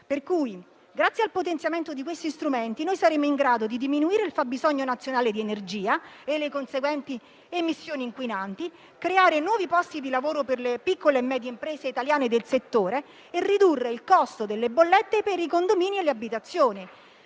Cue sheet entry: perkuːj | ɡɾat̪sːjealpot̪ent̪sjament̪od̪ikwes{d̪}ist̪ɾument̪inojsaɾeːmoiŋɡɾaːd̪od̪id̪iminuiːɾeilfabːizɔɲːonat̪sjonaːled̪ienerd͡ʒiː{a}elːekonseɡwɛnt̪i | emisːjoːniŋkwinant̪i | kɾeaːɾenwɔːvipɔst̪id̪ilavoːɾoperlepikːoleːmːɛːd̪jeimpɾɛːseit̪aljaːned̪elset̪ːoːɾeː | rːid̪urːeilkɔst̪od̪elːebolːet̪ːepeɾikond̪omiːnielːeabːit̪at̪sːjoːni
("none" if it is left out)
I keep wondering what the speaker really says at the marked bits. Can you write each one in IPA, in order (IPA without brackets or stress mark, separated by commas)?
t̪, a